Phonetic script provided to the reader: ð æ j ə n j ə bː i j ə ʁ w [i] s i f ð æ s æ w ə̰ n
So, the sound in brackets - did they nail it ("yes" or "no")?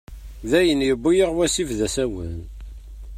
no